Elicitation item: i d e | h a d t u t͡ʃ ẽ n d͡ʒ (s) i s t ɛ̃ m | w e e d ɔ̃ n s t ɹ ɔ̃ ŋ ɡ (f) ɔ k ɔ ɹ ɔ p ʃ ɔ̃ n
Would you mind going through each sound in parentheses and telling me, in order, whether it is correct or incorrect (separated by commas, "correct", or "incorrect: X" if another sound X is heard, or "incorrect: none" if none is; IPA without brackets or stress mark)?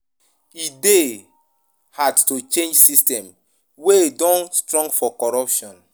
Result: correct, correct